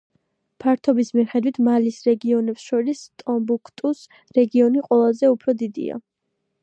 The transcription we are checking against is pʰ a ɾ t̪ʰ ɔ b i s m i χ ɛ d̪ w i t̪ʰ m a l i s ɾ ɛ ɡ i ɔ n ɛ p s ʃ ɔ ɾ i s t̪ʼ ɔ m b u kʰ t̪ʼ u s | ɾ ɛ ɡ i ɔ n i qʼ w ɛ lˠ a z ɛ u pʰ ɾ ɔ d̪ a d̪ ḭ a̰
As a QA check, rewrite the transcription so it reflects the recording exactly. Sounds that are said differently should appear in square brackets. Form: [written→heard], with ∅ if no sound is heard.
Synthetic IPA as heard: pʰ a ɾ t̪ʰ ɔ b i s m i χ ɛ d̪ w i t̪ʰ m a l i s ɾ ɛ ɡ i ɔ n ɛ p s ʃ ɔ ɾ i s t̪ʼ ɔ m b u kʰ t̪ʼ u s | ɾ ɛ ɡ i ɔ n i qʼ w ɛ lˠ a z ɛ u pʰ ɾ ɔ d̪ [a→i] d̪ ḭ a̰